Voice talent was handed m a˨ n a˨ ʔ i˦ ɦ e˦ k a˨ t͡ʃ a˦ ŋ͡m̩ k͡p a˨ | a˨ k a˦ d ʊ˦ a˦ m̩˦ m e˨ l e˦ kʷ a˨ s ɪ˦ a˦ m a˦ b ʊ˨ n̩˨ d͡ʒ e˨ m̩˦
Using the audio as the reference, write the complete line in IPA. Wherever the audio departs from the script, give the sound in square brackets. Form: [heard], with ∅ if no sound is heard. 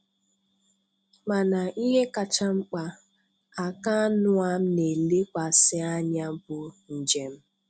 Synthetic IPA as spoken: m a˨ n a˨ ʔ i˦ ɦ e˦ k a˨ t͡ʃ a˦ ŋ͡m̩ k͡p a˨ | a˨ k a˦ [n] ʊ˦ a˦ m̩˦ [n] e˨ l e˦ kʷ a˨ s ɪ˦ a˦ [ɲ] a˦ b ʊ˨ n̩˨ d͡ʒ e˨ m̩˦